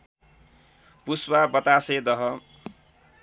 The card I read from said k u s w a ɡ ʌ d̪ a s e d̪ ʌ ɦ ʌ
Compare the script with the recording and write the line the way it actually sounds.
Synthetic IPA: p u s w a b ʌ t̪ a s e d̪ ʌ ɦ ʌ